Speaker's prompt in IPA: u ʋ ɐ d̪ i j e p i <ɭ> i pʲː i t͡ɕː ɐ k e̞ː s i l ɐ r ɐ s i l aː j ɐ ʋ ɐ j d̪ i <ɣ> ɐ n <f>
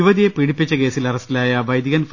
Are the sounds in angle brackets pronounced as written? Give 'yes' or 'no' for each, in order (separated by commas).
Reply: no, yes, yes